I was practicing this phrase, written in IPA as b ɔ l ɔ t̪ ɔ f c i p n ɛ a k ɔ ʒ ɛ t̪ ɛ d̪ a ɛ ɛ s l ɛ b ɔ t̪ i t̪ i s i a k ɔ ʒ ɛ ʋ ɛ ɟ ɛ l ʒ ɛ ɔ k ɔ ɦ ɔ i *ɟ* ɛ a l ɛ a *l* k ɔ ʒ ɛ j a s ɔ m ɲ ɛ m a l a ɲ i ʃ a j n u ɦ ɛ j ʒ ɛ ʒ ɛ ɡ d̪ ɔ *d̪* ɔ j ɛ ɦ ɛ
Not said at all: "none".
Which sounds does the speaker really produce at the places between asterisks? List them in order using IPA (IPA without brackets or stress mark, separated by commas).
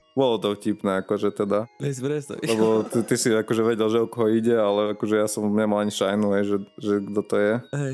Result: ɟ, none, t̪